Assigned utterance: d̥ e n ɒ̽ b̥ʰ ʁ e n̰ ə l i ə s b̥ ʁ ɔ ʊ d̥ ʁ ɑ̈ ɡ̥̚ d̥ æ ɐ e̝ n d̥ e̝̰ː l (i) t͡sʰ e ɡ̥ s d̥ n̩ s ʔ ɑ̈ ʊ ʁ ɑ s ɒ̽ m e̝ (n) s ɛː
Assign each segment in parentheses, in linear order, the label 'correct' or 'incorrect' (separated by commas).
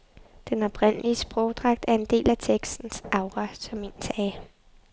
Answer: incorrect, correct